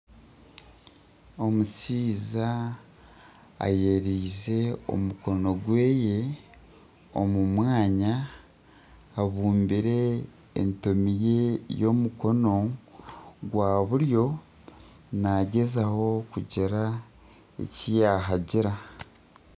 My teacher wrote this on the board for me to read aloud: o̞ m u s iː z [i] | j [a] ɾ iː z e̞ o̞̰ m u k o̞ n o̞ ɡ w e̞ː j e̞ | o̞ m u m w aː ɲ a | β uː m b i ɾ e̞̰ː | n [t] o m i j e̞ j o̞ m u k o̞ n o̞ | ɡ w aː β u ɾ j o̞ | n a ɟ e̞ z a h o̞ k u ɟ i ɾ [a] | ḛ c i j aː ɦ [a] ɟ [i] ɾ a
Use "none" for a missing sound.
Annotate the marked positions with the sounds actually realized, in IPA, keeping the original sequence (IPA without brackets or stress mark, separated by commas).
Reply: a, e, t, a, a, i